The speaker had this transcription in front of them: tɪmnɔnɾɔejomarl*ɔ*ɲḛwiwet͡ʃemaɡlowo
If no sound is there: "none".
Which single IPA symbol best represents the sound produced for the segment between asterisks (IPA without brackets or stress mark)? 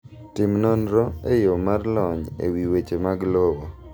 ɔ